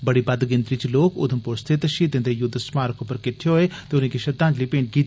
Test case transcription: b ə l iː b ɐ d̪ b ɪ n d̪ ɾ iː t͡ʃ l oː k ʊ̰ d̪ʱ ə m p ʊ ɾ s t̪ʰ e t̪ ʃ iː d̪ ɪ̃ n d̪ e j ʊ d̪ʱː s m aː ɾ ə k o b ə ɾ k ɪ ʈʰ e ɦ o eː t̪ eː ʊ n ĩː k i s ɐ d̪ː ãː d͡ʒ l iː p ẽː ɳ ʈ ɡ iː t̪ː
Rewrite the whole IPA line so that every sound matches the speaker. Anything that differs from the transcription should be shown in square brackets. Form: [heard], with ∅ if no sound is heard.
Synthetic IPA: b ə [ɽ] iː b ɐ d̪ [ɡ] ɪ n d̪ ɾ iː t͡ʃ l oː k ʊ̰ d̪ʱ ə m p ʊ ɾ s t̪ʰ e t̪ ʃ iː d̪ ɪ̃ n d̪ e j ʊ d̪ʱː s m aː ɾ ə k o [p] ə ɾ k ɪ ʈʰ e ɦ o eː t̪ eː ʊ n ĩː k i [ʃ] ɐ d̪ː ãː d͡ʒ l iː p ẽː ɳ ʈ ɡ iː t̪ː

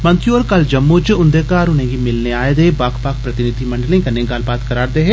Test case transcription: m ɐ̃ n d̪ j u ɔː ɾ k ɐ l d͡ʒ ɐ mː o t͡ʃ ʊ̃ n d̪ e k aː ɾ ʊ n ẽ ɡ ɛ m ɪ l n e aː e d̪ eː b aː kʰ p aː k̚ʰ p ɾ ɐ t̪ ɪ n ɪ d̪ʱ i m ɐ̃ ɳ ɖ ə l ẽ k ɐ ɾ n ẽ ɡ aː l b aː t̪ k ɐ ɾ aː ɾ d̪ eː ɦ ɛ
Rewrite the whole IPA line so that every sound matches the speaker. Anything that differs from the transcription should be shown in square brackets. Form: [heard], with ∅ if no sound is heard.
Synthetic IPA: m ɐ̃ n [t̪] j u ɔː ɾ k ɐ l d͡ʒ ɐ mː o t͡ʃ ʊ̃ n d̪ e k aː ɾ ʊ n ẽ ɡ [i] m ɪ l n e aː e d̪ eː b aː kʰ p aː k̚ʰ p ɾ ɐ t̪ ɪ n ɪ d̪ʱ i m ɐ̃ ɳ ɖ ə l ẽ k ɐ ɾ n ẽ ɡ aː l b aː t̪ k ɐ ɾ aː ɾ d̪ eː ɦ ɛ

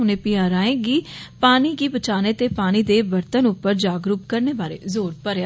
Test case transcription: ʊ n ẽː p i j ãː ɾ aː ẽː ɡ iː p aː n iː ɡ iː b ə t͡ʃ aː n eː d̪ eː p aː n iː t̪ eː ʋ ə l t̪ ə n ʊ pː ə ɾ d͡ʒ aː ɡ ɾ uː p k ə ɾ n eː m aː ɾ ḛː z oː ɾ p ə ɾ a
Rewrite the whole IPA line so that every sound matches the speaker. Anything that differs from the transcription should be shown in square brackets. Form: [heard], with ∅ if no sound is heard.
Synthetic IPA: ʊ n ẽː p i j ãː ɾ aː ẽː ɡ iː p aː n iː ɡ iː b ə t͡ʃ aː n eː [t̪] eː p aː n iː [d̪] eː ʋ ə [ɾ] t̪ ə n ʊ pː ə ɾ d͡ʒ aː ɡ ɾ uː p k ə ɾ n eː [b] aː ɾ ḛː z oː ɾ p ə ɾ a

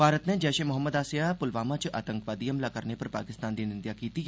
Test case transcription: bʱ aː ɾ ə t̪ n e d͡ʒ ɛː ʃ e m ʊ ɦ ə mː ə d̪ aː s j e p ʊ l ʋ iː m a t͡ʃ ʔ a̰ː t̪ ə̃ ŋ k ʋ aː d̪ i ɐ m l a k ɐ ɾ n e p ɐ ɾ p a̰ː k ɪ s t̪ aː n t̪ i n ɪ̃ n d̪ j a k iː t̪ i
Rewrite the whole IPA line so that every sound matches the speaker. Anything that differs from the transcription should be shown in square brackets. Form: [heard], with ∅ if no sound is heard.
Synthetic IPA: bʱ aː ɾ ə t̪ n e d͡ʒ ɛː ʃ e m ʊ ɦ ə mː ə d̪ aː s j [a] p ʊ l ʋ [aː] m a t͡ʃ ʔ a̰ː t̪ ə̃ ŋ k ʋ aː d̪ i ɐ m l a k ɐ ɾ n e p ɐ ɾ p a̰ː k ɪ s t̪ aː n [d̪] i n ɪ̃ n d̪ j a k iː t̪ i

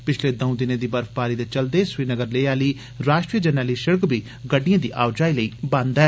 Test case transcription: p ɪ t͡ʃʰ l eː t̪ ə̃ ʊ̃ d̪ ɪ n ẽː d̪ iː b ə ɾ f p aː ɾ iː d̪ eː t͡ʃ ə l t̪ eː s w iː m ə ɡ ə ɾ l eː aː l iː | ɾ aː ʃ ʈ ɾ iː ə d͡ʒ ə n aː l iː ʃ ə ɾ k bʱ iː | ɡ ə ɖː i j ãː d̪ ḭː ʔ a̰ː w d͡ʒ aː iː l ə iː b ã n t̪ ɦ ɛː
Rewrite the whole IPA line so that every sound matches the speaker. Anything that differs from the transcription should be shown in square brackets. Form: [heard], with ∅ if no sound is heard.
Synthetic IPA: p ɪ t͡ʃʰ l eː [d̪] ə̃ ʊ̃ d̪ ɪ n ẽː d̪ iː b ə ɾ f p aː ɾ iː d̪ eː t͡ʃ ə l [d̪] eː s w iː [n] ə ɡ ə ɾ l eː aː l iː | ɾ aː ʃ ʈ ɾ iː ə d͡ʒ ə n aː l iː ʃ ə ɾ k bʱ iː | ɡ ə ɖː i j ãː d̪ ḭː ʔ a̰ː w d͡ʒ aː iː l ə iː b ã n [d̪] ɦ ɛː

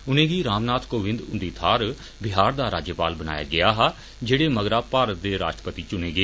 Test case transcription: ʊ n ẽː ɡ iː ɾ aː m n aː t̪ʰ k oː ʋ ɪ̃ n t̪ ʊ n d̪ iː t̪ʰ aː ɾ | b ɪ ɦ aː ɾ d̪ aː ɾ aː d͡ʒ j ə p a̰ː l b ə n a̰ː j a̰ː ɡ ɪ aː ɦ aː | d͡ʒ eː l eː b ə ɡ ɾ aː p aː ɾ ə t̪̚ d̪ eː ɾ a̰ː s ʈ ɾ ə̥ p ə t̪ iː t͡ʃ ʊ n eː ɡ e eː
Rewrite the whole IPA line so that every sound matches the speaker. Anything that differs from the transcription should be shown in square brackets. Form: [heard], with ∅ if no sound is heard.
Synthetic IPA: ʊ n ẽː ɡ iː ɾ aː m n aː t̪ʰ k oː ʋ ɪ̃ n [d̪] ʊ n d̪ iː t̪ʰ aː ɾ | b ɪ ɦ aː ɾ d̪ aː ɾ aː d͡ʒ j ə p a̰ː l b ə n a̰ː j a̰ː ɡ ɪ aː ɦ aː | d͡ʒ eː [ɽ] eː [m] ə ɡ ɾ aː p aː ɾ ə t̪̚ d̪ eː ɾ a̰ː [ʃ] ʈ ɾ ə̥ p ə t̪ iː t͡ʃ ʊ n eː ɡ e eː

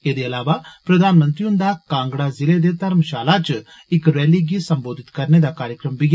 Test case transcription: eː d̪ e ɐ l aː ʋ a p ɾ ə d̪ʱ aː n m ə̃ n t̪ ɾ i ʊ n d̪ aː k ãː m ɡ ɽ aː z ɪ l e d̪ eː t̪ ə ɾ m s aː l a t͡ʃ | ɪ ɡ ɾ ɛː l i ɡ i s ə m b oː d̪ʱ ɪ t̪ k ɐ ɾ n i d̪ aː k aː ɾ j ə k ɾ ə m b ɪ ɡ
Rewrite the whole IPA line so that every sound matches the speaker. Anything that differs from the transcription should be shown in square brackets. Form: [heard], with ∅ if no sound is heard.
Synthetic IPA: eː d̪ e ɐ l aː ʋ a p ɾ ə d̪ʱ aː n m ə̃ n t̪ ɾ i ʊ n d̪ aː k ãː [ŋ] ɡ ɽ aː z ɪ l e d̪ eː t̪ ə ɾ m [ʃ] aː l a t͡ʃ | ɪ [k] ɾ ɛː l i ɡ i s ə m b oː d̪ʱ ɪ t̪ k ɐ ɾ n [e] d̪ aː k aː ɾ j ə k ɾ ə m b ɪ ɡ

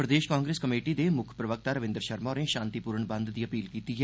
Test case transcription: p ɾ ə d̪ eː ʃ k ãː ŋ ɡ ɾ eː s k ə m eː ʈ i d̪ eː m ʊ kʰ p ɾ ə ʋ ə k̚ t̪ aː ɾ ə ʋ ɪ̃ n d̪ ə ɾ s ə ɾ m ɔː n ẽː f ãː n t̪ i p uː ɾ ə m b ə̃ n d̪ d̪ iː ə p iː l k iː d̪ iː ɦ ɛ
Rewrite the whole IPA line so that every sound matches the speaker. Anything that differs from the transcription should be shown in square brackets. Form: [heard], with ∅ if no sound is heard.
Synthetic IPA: p ɾ ə d̪ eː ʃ k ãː ŋ ɡ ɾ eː s k ə m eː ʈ i d̪ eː m ʊ kʰ p ɾ ə ʋ ə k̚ t̪ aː ɾ ə ʋ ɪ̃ n d̪ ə ɾ [ʃ] ə ɾ m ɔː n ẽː [ʃ] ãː n t̪ i p uː ɾ ə [ɳ] b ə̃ n d̪ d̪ iː ə p iː l k iː [t̪] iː ɦ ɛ

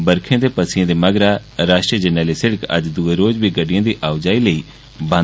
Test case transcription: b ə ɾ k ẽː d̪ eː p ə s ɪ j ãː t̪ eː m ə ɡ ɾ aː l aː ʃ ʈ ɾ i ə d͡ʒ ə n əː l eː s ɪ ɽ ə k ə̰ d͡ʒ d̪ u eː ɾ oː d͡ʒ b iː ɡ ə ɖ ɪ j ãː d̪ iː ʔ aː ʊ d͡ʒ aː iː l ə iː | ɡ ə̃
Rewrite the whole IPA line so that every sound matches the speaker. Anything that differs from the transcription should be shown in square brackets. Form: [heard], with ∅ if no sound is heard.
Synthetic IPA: b ə ɾ [kʰ] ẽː d̪ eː p ə s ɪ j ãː [d̪] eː m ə ɡ ɾ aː [ɾ] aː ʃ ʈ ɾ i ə d͡ʒ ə n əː l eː s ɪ ɽ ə k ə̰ d͡ʒ d̪ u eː ɾ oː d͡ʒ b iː ɡ ə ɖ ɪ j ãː d̪ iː ʔ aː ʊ d͡ʒ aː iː l ə iː | [b] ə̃

